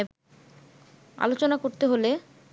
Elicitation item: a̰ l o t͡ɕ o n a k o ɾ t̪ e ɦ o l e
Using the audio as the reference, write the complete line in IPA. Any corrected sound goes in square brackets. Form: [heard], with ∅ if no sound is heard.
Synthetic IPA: a̰ l o t͡ɕ o n a k o ɾ t̪ e ɦ o l e